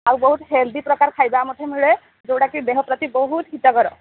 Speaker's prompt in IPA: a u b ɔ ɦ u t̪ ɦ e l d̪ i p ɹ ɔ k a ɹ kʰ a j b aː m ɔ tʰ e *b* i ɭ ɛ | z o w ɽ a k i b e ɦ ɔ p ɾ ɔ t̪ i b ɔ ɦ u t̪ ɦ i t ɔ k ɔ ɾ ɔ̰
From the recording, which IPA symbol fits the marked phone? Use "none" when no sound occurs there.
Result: m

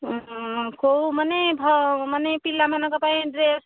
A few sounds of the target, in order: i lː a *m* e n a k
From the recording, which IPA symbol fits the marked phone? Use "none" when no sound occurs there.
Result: m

